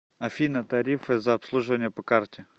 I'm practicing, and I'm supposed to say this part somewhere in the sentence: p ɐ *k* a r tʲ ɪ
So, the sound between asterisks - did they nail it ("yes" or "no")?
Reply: yes